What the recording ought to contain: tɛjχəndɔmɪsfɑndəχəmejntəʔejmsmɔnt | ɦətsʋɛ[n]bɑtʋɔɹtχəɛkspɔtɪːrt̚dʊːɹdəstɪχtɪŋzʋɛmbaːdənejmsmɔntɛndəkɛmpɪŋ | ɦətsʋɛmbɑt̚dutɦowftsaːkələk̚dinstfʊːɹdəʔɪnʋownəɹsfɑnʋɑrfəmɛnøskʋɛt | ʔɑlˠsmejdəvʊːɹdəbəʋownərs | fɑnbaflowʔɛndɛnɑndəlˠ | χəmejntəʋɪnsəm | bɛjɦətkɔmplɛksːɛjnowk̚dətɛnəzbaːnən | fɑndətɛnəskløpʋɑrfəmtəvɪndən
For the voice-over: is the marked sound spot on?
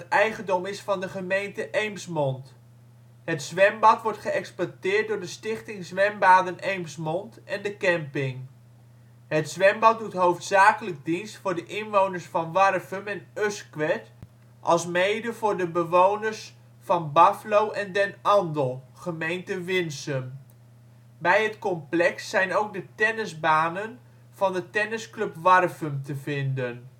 no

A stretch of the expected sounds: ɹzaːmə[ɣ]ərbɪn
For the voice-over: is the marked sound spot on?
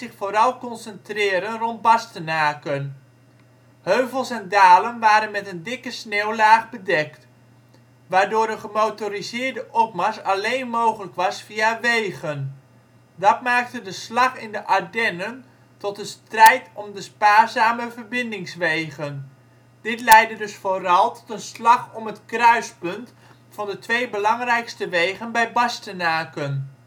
no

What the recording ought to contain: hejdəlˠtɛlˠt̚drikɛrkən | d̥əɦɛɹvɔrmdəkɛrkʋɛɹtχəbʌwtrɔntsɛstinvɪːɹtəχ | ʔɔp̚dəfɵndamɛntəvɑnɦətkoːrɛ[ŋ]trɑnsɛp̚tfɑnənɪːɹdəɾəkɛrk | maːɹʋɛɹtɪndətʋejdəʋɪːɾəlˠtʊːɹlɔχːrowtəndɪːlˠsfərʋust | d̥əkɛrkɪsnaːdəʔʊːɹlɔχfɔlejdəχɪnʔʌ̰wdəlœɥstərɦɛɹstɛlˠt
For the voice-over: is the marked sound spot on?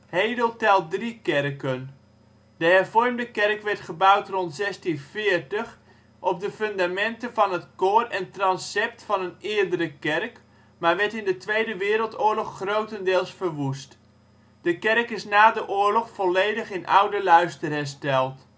no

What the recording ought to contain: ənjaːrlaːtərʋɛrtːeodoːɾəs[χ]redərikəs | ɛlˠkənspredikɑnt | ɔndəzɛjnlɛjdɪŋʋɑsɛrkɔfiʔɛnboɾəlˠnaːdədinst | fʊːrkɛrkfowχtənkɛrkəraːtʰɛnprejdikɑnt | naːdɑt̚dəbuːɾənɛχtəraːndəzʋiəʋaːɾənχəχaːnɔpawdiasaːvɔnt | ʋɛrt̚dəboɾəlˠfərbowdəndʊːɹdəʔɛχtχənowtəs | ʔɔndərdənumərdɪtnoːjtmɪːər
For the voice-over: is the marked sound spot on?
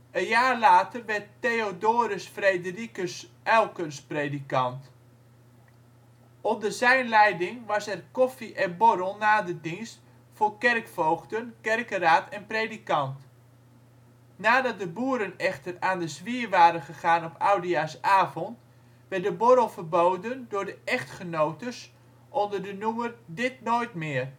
no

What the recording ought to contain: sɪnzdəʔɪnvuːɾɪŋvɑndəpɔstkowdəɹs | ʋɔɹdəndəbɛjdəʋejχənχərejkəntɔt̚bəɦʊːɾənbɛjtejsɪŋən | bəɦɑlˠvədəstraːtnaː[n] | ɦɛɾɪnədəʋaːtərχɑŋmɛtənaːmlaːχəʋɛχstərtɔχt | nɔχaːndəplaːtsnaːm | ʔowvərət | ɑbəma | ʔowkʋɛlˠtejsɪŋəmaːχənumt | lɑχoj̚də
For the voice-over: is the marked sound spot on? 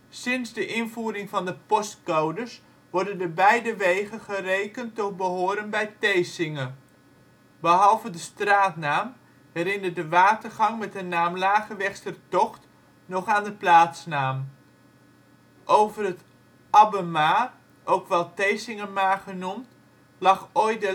no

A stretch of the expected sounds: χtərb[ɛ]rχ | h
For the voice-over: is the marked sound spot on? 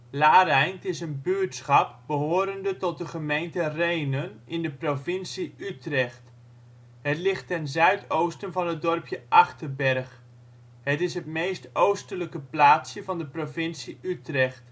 yes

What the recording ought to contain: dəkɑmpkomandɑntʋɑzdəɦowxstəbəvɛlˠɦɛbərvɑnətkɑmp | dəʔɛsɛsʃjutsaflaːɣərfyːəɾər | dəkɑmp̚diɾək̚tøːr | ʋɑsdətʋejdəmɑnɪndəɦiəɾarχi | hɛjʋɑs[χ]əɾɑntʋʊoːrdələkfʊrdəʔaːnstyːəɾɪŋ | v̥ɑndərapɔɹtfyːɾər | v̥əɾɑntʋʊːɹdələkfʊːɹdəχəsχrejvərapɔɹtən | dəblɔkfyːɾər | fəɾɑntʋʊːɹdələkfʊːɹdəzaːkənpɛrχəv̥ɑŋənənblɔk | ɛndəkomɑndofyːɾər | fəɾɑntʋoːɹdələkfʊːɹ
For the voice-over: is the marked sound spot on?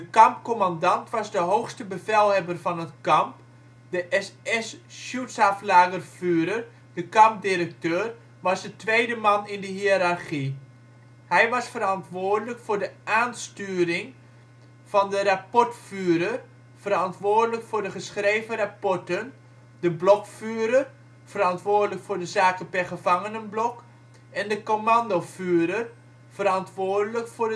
no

